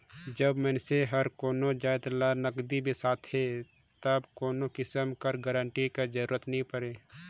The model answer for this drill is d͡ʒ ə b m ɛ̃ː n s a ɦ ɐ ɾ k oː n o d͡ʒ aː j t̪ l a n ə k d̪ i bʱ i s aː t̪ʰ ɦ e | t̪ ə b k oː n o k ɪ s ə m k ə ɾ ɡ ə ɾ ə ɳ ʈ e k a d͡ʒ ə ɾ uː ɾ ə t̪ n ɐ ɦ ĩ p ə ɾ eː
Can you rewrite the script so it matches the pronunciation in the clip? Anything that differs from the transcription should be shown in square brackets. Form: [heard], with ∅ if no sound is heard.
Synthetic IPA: d͡ʒ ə b m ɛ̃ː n s [e] ɦ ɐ ɾ k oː n o d͡ʒ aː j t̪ l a n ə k d̪ i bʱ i s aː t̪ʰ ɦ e | t̪ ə b k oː n o k ɪ s ə m k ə ɾ ɡ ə ɾ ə ɳ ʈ [i] k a d͡ʒ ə ɾ uː ɾ ə t̪ n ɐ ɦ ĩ p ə ɾ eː

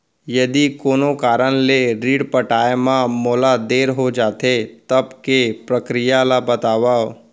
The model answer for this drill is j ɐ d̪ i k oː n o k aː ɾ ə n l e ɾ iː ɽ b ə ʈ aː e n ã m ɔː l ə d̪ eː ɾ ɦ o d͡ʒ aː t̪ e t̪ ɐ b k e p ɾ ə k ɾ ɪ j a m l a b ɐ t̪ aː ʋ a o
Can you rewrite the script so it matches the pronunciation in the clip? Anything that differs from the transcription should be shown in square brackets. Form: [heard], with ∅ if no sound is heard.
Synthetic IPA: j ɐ d̪ i k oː n o k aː ɾ ə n l e ɾ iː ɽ [p] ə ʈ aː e [m] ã m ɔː l [a] d̪ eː ɾ ɦ o d͡ʒ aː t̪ e t̪ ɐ b k e p ɾ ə k ɾ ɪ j a [∅] l a b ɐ t̪ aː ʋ a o

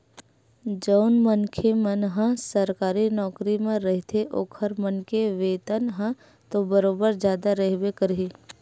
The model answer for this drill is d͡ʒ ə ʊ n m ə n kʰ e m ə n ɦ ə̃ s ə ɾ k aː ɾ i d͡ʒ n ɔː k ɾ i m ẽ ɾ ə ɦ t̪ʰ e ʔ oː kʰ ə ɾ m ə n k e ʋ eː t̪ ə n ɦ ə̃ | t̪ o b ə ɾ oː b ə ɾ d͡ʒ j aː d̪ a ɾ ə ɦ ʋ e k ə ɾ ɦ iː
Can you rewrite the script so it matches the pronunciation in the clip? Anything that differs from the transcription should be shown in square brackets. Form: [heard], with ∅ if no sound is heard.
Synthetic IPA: d͡ʒ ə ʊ n m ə n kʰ e m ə n ɦ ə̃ s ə ɾ k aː ɾ i [∅] n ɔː k ɾ i m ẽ ɾ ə ɦ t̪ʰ e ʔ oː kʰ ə ɾ m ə n k e ʋ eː t̪ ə n ɦ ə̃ | t̪ o b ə ɾ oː b ə ɾ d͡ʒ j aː d̪ a ɾ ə ɦ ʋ e k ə ɾ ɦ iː

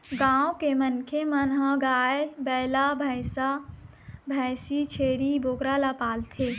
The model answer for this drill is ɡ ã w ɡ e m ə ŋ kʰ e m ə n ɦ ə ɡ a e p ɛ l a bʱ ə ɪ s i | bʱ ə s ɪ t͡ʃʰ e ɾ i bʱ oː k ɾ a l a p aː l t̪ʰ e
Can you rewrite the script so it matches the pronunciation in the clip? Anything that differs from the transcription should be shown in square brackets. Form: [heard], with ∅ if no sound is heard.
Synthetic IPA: ɡ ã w [k] e m ə [n] kʰ e m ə n ɦ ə ɡ a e [b] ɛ l a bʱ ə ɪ s [a] | bʱ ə s [i] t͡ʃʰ e ɾ i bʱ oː k ɾ a l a p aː l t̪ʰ e

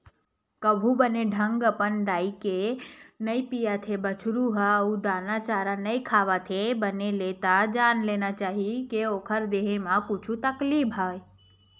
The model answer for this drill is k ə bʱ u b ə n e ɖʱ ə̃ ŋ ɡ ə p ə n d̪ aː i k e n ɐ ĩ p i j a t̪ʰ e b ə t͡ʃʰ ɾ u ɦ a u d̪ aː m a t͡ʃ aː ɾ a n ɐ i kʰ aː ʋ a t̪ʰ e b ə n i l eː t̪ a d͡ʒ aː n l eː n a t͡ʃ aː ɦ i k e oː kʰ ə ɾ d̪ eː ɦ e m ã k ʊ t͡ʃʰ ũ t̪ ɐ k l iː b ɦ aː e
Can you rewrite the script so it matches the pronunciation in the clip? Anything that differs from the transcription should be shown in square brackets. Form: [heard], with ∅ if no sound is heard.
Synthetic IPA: k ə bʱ u b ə n e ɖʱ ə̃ ŋ ɡ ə p ə n d̪ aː i k e n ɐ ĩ p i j a t̪ʰ e b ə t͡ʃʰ ɾ u ɦ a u d̪ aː [n] a t͡ʃ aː ɾ a n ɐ i kʰ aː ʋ a t̪ʰ e b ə n [e] l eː t̪ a d͡ʒ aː n l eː n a t͡ʃ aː ɦ i k e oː kʰ ə ɾ d̪ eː ɦ e m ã k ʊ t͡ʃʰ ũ t̪ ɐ k l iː b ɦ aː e

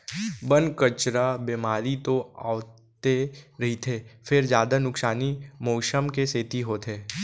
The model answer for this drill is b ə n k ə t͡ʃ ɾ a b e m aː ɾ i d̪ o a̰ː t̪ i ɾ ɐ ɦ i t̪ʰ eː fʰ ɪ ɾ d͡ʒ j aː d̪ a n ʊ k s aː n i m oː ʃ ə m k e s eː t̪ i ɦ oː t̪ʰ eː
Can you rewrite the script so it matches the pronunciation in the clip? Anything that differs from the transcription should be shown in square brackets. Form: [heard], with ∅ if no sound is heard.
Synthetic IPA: b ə n k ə t͡ʃ ɾ a b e m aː ɾ i [t̪] o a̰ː t̪ [e] ɾ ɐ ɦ i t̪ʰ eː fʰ ɪ ɾ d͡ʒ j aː d̪ a n ʊ k s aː n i m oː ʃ ə m k e s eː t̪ i ɦ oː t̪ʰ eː

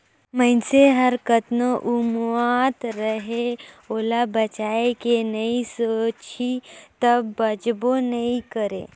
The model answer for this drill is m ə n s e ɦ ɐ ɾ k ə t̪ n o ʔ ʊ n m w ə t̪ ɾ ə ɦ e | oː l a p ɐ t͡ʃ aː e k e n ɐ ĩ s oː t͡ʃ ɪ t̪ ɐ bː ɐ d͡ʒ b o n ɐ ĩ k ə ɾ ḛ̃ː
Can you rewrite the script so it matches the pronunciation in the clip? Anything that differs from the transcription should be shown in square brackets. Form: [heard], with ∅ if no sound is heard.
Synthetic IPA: m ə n s e ɦ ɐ ɾ k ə t̪ n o ʔ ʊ [∅] m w [a] t̪ ɾ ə ɦ e | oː l a [b] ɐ t͡ʃ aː e k e n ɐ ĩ s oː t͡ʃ [i] t̪ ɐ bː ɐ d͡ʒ b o n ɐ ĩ k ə ɾ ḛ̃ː

